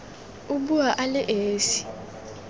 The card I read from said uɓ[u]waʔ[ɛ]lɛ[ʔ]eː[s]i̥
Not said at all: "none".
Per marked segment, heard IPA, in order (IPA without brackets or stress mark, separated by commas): u, a, ʔ, s